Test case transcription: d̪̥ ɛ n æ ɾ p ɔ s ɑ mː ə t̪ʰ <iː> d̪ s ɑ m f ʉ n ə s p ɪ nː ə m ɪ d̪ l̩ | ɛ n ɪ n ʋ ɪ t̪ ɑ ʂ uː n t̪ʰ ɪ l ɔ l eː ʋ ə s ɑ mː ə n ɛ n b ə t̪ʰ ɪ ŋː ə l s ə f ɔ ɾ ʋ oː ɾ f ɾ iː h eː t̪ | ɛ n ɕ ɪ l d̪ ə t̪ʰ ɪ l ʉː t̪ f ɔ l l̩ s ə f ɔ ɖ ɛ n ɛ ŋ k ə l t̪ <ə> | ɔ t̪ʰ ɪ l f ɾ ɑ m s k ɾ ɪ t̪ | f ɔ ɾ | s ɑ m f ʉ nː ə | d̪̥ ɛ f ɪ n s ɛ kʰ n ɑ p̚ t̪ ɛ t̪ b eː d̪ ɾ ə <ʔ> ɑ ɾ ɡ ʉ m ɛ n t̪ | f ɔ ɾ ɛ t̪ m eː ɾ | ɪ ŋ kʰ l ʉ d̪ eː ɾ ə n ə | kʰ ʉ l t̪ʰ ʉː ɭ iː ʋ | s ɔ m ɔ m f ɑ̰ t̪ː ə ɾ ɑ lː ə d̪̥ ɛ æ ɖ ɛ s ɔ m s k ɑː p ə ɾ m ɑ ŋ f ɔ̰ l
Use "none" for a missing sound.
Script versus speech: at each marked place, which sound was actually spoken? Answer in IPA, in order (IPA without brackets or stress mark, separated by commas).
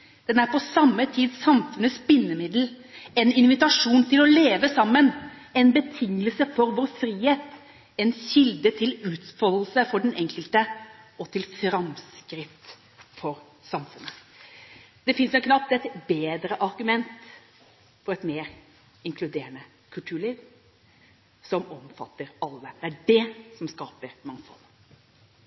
iː, ə, ʔ